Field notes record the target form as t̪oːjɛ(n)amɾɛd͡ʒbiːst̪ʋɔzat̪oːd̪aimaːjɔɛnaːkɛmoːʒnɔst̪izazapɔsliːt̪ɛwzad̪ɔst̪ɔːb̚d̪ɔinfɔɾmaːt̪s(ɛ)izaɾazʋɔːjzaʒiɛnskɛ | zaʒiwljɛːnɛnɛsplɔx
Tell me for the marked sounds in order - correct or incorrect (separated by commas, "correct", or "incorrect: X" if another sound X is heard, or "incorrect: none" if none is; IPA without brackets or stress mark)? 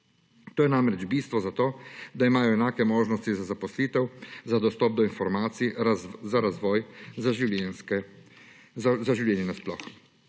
correct, incorrect: i